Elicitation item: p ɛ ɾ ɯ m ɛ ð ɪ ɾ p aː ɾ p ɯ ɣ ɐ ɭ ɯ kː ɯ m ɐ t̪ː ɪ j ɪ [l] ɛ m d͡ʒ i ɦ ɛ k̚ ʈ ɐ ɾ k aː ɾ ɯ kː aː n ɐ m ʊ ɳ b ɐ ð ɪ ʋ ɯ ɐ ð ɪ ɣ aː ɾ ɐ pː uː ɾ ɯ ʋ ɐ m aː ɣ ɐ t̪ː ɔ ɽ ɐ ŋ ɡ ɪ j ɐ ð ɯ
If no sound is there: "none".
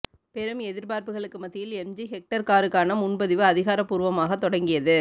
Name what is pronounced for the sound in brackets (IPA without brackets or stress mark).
l